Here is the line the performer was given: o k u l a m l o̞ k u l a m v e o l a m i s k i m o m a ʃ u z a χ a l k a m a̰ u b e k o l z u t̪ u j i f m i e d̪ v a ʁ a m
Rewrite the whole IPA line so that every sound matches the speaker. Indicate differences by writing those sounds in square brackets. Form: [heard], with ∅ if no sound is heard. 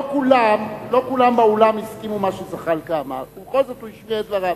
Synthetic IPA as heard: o k u l a m l o̞ k u l a m [b] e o l a m i s k i m [u] m a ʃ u z a χ a l k a m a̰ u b e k o l z [o] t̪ u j i [ʃ] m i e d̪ v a ʁ a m